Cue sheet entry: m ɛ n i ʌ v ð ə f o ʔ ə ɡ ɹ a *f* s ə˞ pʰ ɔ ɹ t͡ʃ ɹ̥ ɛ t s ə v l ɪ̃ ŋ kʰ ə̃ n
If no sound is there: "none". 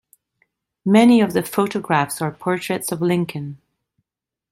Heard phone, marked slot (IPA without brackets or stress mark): f